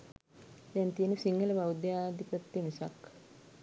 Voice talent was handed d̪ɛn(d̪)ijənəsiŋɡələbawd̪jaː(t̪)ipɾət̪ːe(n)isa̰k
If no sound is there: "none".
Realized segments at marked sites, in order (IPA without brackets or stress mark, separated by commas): t̪, d̪, m